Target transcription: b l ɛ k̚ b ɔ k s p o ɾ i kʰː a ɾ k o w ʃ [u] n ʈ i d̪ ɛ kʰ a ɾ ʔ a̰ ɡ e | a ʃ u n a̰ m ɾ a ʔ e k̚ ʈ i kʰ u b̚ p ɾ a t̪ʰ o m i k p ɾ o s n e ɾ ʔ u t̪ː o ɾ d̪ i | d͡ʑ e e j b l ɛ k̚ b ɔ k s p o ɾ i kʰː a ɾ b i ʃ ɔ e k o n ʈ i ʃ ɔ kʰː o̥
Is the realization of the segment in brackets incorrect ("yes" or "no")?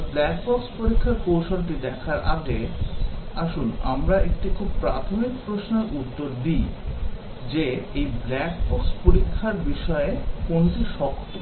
yes